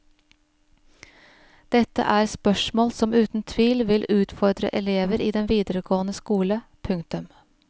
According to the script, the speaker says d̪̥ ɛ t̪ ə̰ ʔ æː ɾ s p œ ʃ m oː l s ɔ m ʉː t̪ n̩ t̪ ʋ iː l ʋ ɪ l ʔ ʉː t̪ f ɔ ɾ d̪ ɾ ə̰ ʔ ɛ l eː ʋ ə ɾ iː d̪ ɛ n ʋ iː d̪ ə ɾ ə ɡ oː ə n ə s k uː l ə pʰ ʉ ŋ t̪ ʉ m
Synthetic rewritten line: d̪̥ ɛ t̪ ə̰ ʔ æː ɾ s p œ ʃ m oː l s ɔ m ʉː t̪ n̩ t̪ʰ ʋ iː l ʋ ɪ l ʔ ʉː t̪ f ɔ ɾ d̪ ɾ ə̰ ʔ ɛ l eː ʋ ə ɾ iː d̪ ɛ n ʋ iː d̪ ə ɾ ə ɡ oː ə n ə s k uː l ə pʰ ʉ ŋ t̪ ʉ m